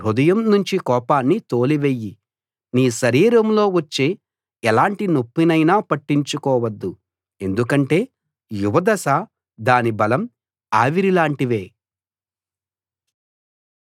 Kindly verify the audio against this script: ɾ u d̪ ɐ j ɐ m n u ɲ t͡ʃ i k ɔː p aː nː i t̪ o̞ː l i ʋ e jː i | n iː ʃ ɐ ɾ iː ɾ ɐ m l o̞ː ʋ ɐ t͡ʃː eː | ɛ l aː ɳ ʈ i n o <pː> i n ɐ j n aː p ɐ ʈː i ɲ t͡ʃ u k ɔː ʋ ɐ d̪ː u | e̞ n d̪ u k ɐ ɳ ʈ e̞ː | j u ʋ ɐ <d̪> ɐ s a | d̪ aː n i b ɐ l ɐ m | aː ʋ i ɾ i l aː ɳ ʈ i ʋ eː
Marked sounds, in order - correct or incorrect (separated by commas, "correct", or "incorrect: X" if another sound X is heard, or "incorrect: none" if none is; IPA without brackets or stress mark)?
correct, correct